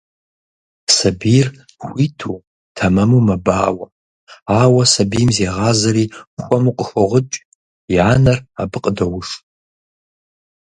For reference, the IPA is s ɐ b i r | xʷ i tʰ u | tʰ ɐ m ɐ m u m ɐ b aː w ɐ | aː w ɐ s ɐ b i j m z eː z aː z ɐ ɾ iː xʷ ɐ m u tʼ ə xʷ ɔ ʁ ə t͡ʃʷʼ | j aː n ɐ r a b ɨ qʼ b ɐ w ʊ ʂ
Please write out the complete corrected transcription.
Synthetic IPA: s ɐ b i r | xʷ i tʰ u | tʰ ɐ m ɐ m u m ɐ b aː w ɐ | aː w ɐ s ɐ b i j m z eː ʁ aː z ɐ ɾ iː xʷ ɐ m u qʼ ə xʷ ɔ ʁ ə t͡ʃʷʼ | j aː n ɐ r a b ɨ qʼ d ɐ w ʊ ʂ